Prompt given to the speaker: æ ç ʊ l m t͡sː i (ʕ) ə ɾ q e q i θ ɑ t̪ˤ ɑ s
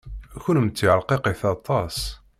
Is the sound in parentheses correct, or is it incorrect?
correct